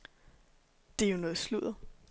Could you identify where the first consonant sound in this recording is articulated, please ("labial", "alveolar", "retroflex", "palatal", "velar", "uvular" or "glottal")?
alveolar